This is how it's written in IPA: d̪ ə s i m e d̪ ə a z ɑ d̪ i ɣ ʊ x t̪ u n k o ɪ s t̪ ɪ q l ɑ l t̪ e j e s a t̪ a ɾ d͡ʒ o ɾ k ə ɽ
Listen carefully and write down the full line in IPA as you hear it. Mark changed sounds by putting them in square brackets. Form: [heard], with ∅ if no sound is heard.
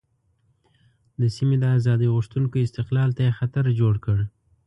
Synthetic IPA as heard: d̪ ə s i m e d̪ ə a z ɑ d̪ i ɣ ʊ [ʂ] t̪ u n k o ɪ s t̪ ɪ q l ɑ l t̪ [a] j e [x] a t̪ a ɾ d͡ʒ o [ɽ] k ə ɽ